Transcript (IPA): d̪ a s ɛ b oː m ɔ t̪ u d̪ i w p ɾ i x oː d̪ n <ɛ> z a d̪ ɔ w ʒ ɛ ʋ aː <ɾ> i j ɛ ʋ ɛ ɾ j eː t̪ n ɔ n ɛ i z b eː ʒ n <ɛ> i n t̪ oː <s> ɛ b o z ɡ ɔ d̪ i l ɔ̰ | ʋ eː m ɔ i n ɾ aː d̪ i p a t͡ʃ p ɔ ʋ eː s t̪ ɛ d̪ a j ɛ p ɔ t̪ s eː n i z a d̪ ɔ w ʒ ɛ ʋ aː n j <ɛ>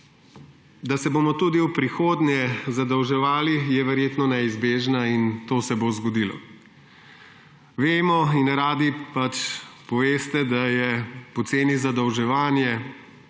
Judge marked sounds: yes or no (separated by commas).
yes, no, no, yes, yes